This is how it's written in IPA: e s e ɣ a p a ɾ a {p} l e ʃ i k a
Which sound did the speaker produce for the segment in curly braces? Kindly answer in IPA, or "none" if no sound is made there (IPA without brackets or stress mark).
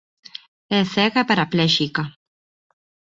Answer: p